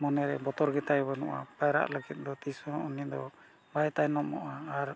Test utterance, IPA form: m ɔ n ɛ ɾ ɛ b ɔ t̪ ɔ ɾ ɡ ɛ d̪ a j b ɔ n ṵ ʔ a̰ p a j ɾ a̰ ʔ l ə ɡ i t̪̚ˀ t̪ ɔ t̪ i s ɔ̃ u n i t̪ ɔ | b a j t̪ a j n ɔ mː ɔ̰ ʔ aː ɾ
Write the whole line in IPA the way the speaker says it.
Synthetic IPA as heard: m ɔ n ɛ ɾ ɛ b ɔ t̪ ɔ ɾ ɡ ɛ t̪ a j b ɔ n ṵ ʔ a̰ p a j ɾ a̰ ʔ l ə ɡ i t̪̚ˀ d̪ ɔ t̪ i s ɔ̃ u n i d̪ ɔ | b a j t̪ a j n ɔ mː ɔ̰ ʔ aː ɾ